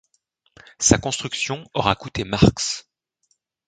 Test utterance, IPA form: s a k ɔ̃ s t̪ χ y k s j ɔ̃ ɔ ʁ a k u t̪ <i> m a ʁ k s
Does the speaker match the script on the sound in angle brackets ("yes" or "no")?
no